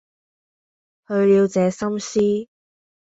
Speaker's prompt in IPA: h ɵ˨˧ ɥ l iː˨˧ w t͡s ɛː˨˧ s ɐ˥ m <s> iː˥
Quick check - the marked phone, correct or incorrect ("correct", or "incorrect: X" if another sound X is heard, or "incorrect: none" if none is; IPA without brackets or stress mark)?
correct